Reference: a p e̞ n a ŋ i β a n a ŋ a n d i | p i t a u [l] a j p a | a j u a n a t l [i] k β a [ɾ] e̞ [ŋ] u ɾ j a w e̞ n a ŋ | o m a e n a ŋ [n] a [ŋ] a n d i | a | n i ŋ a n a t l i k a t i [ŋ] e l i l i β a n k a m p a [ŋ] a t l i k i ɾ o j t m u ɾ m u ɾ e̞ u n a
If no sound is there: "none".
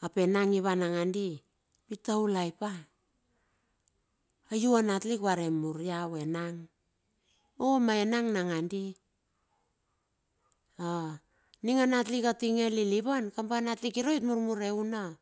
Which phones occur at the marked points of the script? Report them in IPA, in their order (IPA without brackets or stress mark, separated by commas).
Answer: l, i, ɾ, m, n, ŋ, ŋ, n